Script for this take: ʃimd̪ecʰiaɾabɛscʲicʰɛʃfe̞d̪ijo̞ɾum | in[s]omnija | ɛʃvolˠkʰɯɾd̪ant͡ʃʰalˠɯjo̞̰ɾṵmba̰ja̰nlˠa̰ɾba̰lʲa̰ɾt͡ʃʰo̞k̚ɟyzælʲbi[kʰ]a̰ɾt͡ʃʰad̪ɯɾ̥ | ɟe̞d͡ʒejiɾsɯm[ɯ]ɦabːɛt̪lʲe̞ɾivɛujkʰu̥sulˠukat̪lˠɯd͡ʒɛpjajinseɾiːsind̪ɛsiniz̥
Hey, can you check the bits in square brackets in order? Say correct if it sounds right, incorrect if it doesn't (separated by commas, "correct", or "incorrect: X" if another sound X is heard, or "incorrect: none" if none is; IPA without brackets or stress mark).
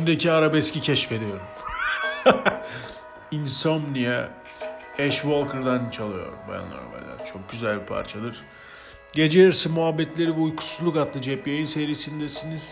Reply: correct, incorrect: pʰ, incorrect: u